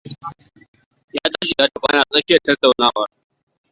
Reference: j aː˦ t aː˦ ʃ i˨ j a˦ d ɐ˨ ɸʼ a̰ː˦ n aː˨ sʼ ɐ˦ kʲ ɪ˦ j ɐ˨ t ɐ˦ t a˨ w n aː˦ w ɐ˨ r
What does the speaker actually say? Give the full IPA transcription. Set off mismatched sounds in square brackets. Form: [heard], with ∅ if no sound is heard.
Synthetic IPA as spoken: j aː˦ t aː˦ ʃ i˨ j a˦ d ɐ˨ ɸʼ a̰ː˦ n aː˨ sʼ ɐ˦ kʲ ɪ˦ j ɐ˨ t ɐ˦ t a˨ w n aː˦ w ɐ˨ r